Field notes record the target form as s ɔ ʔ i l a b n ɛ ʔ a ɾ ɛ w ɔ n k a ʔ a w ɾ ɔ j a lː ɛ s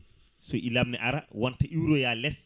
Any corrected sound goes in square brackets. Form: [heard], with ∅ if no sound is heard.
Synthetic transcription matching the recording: s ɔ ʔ i l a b n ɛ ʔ a ɾ [a] w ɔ n [t] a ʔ [i] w ɾ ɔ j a [l] ɛ s